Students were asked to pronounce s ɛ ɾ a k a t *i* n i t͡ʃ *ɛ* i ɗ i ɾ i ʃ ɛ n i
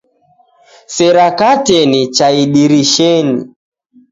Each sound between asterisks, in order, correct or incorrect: incorrect, incorrect

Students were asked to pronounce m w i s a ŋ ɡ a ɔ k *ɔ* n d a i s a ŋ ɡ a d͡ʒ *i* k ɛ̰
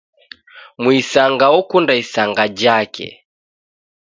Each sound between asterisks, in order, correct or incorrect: incorrect, incorrect

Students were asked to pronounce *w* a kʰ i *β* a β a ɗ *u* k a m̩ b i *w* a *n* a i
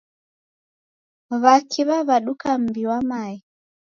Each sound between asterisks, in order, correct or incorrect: incorrect, correct, correct, correct, incorrect

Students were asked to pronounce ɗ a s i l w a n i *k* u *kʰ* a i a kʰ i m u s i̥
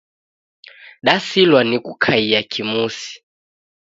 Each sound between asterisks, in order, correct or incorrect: correct, correct

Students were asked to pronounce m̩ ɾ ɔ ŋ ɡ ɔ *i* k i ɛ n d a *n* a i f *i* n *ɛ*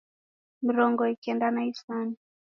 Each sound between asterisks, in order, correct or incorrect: correct, correct, incorrect, incorrect

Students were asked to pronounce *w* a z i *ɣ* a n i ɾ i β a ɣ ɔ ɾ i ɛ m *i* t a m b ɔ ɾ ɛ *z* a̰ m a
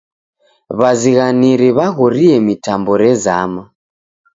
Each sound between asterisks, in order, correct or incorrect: incorrect, correct, correct, correct

